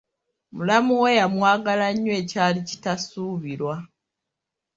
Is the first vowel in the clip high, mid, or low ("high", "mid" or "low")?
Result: high